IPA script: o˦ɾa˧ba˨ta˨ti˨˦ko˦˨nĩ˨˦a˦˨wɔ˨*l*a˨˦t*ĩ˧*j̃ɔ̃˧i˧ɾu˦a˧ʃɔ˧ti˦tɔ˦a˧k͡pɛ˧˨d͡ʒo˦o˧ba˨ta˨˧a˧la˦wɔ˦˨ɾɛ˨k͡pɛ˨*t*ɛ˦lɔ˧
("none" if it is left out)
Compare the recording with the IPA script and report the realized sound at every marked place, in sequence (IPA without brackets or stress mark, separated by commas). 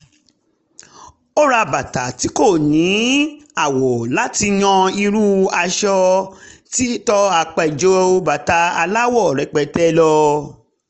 l, i˧, t